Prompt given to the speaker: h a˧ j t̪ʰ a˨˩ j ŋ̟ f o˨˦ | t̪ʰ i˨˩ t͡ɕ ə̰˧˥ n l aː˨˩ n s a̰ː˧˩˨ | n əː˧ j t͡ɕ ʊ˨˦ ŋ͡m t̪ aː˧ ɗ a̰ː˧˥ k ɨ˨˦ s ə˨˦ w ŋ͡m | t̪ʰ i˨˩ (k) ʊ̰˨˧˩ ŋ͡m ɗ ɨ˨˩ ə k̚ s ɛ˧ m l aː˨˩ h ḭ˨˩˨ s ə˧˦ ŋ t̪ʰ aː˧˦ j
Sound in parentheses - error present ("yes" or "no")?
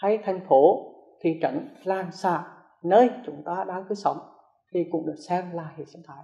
no